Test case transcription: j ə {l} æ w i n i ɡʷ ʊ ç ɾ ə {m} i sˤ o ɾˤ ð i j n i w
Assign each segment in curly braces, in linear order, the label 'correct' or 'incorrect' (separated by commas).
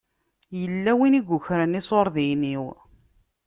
incorrect, incorrect